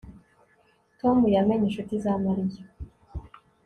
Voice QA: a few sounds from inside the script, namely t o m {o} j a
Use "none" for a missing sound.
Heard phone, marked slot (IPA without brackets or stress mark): u